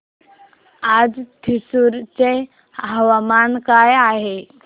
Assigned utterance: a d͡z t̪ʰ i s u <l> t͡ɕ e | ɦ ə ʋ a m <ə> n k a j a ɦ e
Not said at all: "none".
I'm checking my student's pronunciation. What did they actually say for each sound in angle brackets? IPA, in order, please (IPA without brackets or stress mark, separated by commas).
ɾ, a